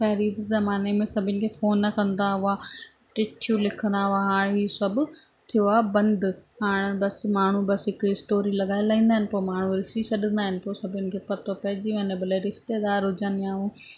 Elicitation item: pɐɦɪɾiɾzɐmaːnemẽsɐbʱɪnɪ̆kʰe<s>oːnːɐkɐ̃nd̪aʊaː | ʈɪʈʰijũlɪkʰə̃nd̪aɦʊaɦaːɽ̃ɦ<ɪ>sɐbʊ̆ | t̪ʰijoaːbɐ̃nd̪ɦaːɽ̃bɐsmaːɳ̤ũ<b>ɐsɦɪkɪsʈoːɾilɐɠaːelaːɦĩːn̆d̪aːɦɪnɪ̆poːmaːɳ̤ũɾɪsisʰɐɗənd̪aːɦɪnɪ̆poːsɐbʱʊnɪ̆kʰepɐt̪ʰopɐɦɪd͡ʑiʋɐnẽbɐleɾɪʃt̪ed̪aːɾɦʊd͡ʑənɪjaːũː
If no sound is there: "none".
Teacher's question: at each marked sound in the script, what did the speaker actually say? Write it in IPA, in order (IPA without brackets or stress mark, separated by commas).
f, i, b